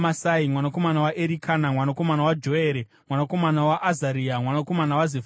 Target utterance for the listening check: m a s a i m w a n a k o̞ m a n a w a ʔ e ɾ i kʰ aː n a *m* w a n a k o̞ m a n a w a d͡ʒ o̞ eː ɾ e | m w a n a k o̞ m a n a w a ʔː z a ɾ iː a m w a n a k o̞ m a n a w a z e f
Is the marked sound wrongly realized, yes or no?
no